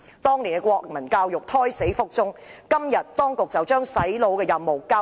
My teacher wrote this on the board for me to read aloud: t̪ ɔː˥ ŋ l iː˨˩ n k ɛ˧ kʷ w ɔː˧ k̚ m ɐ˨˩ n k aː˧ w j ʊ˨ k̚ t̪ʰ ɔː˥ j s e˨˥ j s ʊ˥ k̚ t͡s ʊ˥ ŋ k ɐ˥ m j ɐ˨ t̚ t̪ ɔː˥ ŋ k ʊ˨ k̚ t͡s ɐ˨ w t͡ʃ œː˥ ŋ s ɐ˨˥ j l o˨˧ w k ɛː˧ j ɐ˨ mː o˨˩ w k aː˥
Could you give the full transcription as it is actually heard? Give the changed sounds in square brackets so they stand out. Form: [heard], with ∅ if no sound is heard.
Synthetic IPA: t̪ ɔː˥ ŋ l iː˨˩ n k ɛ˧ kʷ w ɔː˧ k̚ m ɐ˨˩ n k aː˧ w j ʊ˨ k̚ t̪ʰ ɔː˥ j s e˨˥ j [f] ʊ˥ k̚ t͡s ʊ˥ ŋ k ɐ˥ m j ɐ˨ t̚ t̪ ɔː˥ ŋ k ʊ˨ k̚ t͡s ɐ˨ w t͡ʃ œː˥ ŋ s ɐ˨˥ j l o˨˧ w k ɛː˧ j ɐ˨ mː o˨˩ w k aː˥